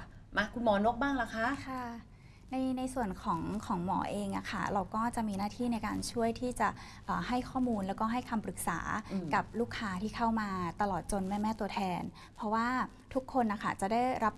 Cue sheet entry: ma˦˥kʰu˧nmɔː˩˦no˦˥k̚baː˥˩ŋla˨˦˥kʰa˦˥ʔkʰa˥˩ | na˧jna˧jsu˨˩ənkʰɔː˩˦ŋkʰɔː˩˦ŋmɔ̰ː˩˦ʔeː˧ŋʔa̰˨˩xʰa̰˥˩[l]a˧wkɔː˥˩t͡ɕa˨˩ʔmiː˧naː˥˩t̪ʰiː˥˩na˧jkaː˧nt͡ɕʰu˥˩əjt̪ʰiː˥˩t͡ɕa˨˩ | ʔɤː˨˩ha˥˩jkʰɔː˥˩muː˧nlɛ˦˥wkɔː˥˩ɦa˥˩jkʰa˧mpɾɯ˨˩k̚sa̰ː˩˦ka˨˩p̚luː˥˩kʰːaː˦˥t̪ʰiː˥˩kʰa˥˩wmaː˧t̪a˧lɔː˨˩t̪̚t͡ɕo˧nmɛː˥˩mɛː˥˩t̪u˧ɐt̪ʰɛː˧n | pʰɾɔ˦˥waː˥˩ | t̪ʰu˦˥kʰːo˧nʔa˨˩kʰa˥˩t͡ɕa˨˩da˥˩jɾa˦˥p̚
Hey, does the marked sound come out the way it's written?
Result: no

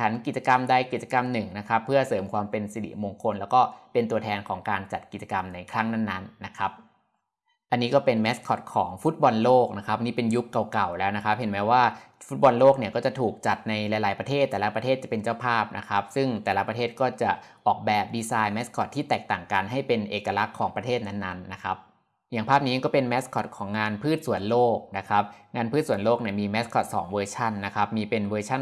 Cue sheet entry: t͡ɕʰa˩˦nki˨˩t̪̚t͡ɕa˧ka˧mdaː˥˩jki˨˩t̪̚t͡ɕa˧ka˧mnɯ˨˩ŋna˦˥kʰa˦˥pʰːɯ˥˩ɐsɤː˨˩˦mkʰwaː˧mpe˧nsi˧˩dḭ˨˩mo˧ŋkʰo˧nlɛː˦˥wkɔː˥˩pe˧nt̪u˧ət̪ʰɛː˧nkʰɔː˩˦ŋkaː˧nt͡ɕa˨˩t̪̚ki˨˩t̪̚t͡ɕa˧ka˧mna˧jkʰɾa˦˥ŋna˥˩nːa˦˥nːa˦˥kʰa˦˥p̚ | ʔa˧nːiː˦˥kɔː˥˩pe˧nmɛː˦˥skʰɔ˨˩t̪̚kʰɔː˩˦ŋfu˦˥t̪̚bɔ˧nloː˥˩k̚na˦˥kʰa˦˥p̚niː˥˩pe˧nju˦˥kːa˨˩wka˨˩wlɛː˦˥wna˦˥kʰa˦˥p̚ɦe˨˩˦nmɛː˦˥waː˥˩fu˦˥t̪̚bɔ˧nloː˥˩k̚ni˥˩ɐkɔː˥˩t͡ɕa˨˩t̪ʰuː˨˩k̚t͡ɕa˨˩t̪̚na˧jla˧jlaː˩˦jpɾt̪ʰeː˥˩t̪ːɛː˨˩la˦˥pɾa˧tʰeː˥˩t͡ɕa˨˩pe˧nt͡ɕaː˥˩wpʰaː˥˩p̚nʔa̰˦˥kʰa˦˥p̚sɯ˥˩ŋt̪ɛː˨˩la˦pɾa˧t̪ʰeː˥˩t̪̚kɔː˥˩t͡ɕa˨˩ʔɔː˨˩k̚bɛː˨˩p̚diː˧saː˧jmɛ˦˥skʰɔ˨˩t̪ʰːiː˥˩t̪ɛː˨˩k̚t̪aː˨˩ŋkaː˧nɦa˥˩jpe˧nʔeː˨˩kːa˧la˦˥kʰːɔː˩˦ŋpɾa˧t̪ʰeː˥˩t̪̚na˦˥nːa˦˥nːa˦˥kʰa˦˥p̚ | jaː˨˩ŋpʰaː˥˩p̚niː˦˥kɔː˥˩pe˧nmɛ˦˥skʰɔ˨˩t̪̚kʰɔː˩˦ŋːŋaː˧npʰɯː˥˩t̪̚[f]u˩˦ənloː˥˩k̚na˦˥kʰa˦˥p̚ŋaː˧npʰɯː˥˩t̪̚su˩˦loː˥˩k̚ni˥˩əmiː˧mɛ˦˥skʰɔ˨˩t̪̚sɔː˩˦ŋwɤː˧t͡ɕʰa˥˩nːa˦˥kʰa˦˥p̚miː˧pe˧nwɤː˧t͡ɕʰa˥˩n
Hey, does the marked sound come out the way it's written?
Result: no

